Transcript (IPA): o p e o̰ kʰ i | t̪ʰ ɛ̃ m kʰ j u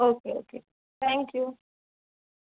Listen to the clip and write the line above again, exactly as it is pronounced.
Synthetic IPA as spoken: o k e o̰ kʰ e | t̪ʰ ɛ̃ ŋ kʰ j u